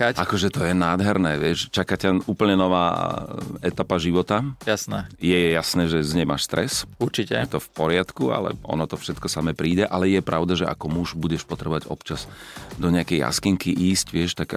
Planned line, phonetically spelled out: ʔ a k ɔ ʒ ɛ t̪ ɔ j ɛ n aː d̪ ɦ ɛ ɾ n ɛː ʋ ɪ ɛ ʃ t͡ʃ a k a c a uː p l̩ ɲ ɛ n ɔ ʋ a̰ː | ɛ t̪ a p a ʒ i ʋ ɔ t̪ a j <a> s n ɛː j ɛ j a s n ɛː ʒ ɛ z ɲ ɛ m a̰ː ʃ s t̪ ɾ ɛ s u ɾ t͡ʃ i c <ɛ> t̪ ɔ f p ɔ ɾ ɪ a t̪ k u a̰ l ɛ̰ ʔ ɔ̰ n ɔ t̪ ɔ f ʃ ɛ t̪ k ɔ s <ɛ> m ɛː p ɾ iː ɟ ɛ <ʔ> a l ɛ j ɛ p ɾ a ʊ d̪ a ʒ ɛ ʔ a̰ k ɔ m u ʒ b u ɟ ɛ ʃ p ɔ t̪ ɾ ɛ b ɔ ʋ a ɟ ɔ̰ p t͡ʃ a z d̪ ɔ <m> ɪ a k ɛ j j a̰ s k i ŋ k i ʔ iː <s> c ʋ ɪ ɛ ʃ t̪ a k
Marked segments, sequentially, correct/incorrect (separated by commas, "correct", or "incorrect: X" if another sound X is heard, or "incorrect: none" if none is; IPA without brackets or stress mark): correct, correct, incorrect: a, correct, incorrect: ɲ, correct